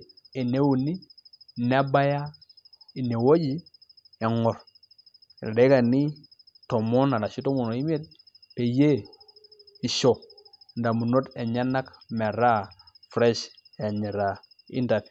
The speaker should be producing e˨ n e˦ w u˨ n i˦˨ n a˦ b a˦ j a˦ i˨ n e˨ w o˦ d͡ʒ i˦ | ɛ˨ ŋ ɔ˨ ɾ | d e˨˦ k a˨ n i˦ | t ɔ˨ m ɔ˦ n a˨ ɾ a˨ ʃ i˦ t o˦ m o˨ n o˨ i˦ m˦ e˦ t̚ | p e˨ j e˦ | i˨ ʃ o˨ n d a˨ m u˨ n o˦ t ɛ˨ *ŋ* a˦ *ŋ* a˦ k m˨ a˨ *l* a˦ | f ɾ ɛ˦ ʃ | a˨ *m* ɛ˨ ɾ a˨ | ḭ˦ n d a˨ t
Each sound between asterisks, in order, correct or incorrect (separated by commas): incorrect, incorrect, incorrect, incorrect